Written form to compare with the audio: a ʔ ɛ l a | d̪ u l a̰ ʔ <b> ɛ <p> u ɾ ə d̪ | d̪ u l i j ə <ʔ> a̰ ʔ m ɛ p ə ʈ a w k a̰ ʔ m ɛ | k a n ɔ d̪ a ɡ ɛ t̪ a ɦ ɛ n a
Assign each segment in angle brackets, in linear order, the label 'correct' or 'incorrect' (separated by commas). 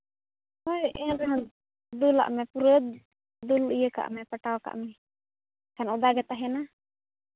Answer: incorrect, correct, incorrect